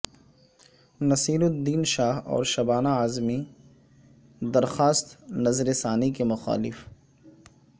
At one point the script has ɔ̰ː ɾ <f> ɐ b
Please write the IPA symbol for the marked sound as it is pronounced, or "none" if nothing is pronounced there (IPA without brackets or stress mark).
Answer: ʃ